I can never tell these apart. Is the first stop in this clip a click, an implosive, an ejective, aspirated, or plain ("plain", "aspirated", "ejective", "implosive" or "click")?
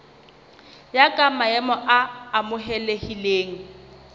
ejective